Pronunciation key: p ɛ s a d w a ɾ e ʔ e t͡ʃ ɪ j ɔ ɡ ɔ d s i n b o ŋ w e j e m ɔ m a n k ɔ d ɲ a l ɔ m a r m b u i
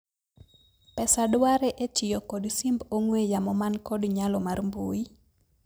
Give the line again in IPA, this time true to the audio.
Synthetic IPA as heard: p ɛ s a d w a ɾ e ʔ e t͡ʃ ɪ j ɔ k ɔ d s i m b o ŋ w e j a m ɔ m a n k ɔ d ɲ a l ɔ m a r m b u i